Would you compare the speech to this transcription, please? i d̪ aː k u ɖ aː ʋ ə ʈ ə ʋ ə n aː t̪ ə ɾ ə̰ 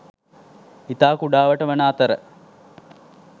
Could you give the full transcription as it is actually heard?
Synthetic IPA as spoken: i t̪ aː k u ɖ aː ʋ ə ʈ ə ʋ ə n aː t̪ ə ɾ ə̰